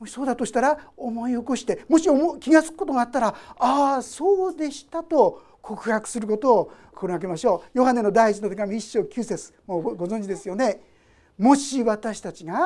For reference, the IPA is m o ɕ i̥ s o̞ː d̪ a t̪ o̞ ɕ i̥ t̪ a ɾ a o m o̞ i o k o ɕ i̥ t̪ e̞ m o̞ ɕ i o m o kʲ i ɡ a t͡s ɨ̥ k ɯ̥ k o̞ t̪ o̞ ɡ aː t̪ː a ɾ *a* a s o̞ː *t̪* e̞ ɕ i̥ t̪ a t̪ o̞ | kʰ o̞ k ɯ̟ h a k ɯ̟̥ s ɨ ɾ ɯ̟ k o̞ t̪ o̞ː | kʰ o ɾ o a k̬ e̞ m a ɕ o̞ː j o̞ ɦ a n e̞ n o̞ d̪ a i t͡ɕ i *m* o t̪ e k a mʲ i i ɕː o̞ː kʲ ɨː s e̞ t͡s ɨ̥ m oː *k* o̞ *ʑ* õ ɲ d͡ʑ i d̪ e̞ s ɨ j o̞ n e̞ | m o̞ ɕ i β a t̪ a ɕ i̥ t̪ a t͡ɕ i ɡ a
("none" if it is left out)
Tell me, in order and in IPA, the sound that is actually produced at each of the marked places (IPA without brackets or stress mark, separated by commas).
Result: a, d̪, n, ɡ, z